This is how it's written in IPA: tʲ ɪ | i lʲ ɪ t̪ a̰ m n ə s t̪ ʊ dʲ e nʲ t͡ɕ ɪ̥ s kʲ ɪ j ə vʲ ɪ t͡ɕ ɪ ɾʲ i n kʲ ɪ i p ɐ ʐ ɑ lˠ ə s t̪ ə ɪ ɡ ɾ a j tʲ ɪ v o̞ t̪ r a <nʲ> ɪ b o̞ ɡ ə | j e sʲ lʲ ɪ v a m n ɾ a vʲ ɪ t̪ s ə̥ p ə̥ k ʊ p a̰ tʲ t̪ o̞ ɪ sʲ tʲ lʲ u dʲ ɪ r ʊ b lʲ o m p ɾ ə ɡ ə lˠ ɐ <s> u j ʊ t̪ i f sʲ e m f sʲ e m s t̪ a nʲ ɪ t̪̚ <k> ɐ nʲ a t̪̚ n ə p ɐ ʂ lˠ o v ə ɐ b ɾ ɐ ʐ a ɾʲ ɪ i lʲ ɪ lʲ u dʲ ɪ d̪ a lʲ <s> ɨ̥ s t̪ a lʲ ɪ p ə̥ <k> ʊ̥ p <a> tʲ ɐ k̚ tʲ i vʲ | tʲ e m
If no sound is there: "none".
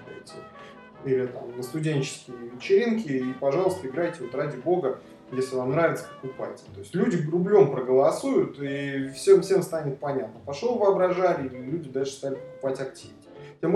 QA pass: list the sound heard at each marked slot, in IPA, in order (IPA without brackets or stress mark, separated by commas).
dʲ, s, p, ʂ, k, a